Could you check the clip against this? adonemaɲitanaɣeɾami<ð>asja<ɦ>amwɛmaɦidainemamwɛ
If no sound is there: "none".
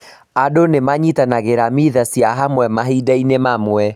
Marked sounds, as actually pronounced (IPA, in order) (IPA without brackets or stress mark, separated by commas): ð, ɦ